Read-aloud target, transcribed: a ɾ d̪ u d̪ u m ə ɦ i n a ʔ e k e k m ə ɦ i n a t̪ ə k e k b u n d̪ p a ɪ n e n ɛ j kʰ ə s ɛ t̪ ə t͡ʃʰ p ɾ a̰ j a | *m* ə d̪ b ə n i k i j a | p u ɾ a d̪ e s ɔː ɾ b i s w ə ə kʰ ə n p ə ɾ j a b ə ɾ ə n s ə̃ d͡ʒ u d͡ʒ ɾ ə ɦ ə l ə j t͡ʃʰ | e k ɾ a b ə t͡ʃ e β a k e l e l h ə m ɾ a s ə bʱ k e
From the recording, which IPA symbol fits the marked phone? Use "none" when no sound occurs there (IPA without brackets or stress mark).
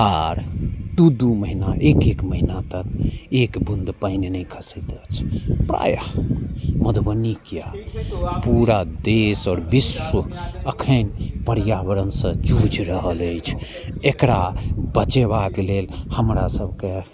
m